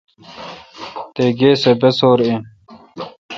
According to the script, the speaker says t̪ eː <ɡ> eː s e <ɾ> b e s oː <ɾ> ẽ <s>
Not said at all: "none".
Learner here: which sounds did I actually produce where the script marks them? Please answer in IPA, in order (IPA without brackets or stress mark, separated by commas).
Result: ɡ, none, ɾ, none